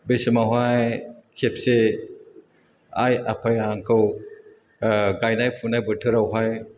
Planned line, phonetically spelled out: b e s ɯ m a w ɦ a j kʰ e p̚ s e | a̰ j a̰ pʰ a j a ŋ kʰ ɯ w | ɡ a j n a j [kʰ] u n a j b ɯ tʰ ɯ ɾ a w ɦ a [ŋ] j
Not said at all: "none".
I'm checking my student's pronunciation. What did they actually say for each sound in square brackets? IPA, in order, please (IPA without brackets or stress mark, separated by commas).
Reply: pʰ, none